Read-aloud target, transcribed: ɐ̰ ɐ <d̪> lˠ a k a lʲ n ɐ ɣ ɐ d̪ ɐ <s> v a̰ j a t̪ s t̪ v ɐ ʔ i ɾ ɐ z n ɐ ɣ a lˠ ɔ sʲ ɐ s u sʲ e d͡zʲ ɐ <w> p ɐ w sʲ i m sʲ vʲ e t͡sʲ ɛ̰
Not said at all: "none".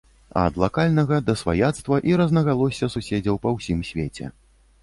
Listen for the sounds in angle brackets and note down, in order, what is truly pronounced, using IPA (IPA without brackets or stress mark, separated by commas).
d̪, s, w